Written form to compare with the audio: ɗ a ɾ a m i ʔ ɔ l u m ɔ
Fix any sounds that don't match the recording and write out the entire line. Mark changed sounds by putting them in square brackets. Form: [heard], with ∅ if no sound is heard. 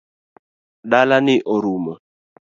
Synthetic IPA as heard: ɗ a [l] a [n] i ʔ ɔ [ɾ] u m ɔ